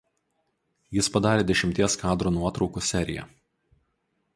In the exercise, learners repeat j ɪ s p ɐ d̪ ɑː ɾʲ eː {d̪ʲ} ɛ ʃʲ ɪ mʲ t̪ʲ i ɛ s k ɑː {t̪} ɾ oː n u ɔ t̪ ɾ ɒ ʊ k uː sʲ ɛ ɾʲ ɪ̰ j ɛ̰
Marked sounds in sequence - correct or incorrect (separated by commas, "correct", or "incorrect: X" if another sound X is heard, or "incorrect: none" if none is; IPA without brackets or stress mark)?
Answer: correct, incorrect: d̪